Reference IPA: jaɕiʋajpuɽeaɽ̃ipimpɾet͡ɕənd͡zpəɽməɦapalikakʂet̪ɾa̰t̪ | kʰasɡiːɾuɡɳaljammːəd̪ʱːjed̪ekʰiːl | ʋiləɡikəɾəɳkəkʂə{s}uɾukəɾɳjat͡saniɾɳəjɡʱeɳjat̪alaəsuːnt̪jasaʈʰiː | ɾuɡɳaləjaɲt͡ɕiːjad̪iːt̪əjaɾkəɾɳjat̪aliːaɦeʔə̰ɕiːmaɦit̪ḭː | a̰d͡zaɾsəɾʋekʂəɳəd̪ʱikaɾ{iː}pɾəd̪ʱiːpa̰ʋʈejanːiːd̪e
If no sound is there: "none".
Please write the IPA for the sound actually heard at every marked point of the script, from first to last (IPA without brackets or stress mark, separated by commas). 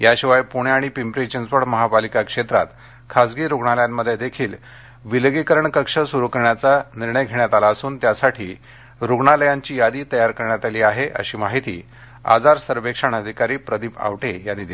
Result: s, iː